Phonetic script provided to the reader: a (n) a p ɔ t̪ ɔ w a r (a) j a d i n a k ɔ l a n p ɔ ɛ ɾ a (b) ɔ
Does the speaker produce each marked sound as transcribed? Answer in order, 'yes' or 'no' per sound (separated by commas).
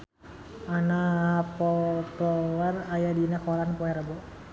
yes, yes, yes